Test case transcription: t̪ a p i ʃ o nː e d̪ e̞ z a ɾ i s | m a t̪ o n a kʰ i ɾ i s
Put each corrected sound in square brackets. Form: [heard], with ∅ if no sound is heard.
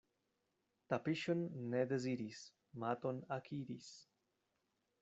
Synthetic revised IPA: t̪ a p i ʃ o nː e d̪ e̞ z [i] ɾ i s | m a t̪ o n a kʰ i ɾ i s